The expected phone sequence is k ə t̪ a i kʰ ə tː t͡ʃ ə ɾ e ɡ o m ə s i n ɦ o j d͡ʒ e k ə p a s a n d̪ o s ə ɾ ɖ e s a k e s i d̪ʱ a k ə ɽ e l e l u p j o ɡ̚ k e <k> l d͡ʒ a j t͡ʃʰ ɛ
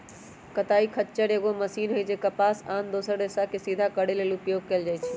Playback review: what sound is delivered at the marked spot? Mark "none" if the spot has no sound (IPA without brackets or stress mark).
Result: none